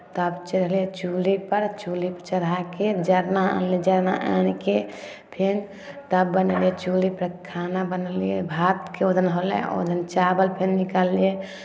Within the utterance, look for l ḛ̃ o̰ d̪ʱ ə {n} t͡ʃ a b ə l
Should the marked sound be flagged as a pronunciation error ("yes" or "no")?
no